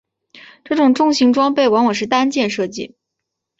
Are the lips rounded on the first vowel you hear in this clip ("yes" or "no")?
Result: no